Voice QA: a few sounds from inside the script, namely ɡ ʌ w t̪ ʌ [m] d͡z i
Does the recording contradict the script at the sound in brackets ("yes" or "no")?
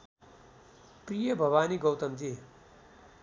no